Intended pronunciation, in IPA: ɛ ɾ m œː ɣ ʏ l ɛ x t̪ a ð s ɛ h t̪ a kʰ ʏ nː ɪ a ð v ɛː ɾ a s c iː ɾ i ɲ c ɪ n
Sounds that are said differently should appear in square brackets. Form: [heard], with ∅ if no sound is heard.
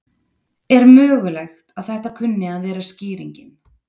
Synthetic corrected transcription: ɛ ɾ m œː ɣ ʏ l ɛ x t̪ a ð [θ] ɛ h t̪ a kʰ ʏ nː ɪ a ð v ɛː ɾ a s c iː ɾ i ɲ c ɪ n